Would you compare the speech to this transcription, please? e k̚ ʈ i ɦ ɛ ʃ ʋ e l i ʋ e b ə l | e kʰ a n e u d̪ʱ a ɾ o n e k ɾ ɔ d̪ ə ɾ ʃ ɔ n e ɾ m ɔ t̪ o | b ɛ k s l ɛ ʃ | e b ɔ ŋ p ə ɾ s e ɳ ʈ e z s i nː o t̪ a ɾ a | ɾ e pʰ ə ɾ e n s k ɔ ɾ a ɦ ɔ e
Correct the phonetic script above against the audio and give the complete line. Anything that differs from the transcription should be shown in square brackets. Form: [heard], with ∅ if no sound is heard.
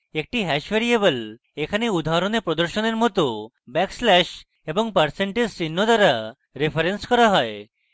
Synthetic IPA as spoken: e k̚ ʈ i ɦ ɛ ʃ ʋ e [ɾ] i [∅] e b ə l | e kʰ a n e u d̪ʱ a ɾ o n e [p] ɾ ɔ d̪ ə ɾ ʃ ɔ n e ɾ m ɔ t̪ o | b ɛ k s l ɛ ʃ | e b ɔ ŋ p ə ɾ s e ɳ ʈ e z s i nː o [d̪] a ɾ a | ɾ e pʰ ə ɾ e n s k ɔ ɾ a ɦ ɔ e